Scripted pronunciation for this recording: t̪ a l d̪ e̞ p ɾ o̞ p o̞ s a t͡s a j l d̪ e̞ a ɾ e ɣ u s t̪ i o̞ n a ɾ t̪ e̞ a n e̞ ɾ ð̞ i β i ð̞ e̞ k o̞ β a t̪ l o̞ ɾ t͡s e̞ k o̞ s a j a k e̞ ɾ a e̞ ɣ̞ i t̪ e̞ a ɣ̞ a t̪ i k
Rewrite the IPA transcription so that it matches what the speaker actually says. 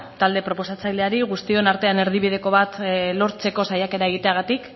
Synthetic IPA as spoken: t̪ a l d̪ e̞ p ɾ o̞ p o̞ s a t͡s a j l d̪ e̞ a ɾ i ɣ u s t̪ i o̞ n a ɾ t̪ e̞ a n e̞ ɾ ð̞ i β i ð̞ e̞ k o̞ β a t̪ l o̞ ɾ t͡s e̞ k o̞ s a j a k e̞ ɾ a e̞ ɣ̞ i t̪ e̞ a ɣ̞ a t̪ i k